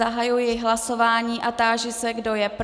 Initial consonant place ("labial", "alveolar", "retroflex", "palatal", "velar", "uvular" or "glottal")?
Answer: glottal